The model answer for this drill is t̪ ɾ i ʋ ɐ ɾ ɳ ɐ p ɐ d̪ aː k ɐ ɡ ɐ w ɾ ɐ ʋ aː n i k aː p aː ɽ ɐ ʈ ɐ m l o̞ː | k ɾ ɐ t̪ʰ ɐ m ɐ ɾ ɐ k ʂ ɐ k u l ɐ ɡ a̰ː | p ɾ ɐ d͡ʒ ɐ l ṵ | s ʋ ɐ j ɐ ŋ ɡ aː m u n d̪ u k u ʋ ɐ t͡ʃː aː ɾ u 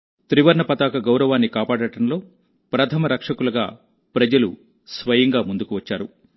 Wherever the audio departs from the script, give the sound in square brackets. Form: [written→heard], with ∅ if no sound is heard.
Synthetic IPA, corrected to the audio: t̪ ɾ i ʋ ɐ ɾ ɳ ɐ p ɐ [d̪→t̪] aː k ɐ ɡ ɐ w ɾ ɐ ʋ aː [n→nː] i k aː p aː ɽ ɐ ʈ ɐ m l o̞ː | [k→p] ɾ ɐ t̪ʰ ɐ m ɐ ɾ ɐ k ʂ ɐ k u l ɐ ɡ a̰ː | p ɾ ɐ d͡ʒ ɐ l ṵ | s ʋ ɐ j ɐ ŋ ɡ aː m u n d̪ u k u ʋ ɐ t͡ʃː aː ɾ u